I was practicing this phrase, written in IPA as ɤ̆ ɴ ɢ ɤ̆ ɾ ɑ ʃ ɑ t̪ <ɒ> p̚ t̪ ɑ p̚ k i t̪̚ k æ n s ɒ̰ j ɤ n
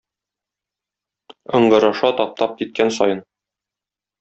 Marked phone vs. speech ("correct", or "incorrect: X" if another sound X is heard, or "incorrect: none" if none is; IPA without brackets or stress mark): correct